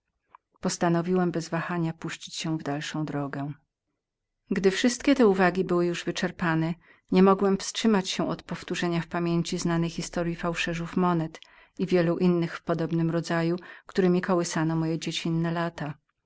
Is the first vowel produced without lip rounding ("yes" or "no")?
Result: no